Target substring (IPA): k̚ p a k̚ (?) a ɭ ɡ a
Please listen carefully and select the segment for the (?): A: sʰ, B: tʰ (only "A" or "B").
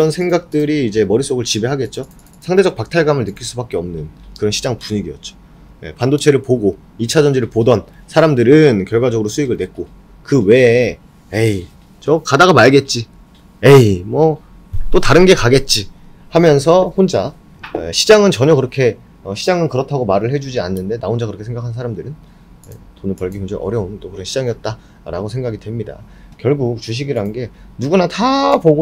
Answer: B